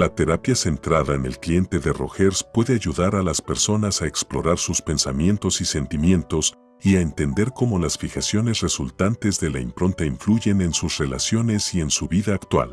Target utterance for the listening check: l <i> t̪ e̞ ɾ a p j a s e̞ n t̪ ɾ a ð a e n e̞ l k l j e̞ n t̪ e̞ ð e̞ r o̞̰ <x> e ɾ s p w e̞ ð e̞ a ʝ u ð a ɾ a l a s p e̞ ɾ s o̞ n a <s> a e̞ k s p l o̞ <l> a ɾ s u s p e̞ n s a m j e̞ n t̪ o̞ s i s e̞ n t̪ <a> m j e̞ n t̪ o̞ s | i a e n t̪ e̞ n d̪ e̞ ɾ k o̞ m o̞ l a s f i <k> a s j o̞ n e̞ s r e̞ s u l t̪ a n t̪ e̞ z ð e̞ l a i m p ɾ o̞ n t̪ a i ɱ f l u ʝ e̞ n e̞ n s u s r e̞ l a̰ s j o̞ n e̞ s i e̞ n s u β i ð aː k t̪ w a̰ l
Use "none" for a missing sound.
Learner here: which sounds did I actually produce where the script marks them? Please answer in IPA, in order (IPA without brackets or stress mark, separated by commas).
a, x, s, ɾ, i, x